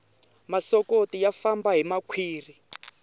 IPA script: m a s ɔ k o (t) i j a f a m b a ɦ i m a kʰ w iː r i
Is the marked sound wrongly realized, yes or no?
no